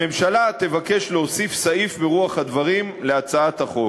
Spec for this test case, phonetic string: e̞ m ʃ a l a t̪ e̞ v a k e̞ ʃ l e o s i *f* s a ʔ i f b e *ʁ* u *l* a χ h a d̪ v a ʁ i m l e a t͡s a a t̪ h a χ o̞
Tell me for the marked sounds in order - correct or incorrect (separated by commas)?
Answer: correct, correct, incorrect